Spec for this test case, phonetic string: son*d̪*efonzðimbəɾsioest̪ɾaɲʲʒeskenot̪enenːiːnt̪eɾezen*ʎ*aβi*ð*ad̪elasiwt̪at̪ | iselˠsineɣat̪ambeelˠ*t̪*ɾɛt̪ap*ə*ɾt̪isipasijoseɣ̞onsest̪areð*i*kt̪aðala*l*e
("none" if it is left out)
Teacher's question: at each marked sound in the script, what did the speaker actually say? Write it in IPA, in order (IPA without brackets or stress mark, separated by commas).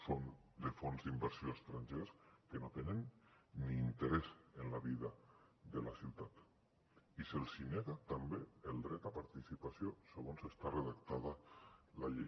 d̪, l, ð, d̪, a, a, ʎ